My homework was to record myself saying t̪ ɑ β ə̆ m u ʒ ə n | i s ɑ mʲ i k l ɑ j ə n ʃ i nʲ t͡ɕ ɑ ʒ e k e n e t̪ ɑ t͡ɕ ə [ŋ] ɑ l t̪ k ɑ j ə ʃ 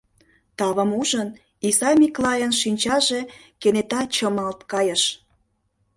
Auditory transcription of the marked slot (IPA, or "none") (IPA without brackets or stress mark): m